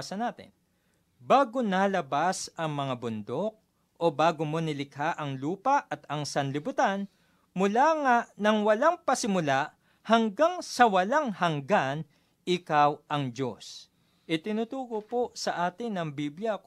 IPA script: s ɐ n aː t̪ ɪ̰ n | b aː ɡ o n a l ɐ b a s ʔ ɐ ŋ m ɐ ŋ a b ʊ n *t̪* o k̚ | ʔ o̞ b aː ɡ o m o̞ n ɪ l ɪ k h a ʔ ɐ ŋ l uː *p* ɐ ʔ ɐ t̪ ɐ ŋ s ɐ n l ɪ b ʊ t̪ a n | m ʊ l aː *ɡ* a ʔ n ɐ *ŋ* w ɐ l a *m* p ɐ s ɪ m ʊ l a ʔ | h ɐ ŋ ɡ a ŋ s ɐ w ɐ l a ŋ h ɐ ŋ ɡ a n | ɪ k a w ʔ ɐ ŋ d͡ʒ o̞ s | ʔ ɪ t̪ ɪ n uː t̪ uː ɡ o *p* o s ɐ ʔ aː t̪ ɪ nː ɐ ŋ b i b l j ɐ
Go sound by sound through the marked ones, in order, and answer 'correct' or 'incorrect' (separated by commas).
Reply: incorrect, correct, incorrect, correct, incorrect, correct